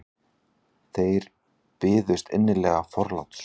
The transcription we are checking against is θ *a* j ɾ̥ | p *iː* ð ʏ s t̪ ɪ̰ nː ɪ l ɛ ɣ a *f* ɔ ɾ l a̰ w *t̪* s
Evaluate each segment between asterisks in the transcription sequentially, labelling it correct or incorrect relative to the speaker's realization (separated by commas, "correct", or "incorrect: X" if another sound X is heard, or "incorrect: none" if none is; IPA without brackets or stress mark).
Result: incorrect: e, incorrect: ɪː, correct, correct